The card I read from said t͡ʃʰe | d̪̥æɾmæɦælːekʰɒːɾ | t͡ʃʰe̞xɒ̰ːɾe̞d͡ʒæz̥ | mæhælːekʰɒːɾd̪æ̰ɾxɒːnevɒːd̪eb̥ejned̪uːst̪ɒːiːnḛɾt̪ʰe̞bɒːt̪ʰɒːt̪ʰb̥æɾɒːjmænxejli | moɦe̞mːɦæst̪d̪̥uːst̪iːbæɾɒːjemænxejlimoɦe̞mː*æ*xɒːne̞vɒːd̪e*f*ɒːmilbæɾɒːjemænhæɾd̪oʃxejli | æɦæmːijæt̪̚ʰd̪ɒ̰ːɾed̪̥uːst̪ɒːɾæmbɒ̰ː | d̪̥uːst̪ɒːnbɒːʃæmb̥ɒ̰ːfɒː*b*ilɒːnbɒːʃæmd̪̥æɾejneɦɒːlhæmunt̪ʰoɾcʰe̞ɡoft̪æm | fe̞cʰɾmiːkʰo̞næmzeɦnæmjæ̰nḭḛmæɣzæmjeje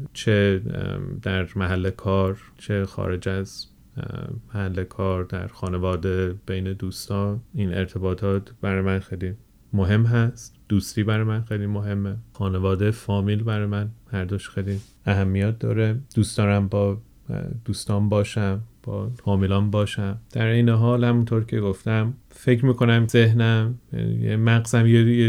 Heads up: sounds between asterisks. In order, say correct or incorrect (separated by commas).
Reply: incorrect, correct, incorrect